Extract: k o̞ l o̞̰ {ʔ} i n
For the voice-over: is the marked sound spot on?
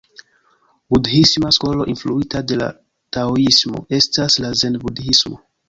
yes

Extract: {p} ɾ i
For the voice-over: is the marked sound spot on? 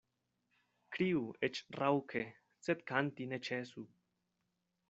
no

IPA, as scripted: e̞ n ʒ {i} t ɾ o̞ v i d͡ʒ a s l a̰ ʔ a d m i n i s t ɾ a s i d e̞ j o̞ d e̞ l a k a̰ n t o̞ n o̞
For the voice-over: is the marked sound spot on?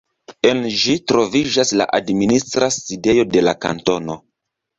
yes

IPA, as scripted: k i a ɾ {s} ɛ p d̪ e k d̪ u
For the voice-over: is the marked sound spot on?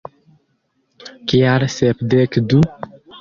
yes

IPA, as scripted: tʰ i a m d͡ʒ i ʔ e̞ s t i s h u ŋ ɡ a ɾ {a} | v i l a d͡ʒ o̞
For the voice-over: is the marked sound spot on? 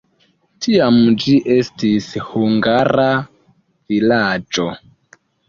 yes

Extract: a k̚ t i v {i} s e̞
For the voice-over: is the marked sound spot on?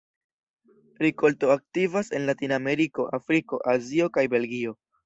no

